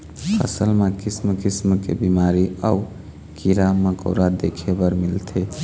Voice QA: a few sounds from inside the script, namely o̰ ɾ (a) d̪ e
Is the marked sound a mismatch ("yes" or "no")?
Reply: no